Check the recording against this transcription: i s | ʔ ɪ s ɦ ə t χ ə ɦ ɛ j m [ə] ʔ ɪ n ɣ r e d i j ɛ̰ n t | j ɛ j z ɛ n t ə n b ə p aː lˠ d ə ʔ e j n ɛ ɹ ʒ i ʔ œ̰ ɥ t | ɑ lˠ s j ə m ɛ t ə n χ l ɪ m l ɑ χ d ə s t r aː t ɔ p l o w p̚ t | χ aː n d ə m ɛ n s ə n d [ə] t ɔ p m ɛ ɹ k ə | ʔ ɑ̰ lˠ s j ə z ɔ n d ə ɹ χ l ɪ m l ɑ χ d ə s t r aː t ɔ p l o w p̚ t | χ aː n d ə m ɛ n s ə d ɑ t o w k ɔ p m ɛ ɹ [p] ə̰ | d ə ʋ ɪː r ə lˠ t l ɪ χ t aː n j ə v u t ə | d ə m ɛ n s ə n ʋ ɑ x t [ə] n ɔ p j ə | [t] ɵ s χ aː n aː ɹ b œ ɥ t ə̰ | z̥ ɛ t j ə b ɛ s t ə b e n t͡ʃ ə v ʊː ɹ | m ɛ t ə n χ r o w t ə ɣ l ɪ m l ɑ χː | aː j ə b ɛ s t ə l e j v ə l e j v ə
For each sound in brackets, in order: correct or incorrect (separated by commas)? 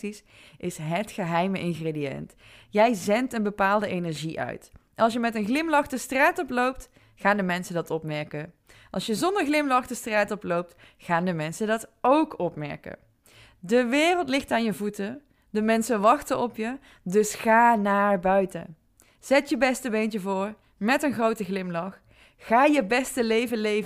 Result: correct, incorrect, incorrect, correct, incorrect